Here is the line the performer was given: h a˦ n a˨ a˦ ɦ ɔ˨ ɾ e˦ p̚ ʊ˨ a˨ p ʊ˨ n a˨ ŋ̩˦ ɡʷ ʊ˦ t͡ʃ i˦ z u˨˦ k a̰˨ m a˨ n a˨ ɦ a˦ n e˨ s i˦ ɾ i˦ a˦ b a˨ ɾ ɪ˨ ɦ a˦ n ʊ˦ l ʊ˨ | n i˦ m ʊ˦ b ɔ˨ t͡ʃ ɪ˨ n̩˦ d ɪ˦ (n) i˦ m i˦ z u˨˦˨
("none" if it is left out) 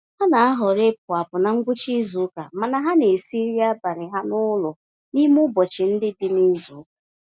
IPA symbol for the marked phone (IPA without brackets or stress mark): d